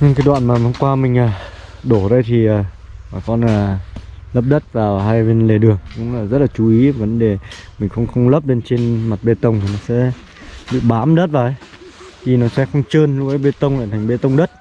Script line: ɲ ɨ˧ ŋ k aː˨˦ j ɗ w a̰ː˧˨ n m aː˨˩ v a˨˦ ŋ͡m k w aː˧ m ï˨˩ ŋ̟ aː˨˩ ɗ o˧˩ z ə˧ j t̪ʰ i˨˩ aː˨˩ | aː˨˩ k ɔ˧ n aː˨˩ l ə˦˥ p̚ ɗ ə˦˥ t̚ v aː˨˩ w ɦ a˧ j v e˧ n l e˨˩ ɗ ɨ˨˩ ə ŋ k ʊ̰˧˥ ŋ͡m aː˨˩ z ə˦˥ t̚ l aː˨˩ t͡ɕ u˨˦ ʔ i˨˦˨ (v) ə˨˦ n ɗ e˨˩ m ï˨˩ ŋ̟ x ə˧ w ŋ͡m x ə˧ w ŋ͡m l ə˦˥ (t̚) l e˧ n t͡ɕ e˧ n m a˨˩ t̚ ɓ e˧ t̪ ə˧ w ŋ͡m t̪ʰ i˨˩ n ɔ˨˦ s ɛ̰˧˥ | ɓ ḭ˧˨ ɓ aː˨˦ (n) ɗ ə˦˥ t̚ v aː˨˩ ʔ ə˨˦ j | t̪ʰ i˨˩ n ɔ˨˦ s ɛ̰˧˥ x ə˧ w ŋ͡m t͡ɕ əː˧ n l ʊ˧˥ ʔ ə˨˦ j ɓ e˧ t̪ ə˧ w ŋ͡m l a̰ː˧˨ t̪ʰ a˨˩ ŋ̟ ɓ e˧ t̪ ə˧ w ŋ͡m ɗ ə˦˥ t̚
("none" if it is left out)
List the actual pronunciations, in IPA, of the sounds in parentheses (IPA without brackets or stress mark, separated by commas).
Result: v, p̚, m